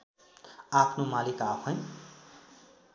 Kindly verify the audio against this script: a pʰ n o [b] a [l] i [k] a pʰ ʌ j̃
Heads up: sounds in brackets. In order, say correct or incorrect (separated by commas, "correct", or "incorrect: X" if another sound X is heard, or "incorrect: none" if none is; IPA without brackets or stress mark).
incorrect: m, correct, correct